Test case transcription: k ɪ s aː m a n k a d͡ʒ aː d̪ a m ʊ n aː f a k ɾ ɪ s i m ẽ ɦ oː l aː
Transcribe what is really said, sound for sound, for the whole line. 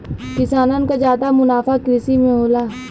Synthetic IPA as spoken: k ɪ s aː n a n k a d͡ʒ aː d̪ a m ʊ n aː f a k ɾ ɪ s i m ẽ ɦ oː l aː